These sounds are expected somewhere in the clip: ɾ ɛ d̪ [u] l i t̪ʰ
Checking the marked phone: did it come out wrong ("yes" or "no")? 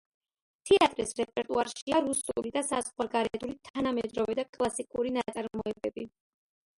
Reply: no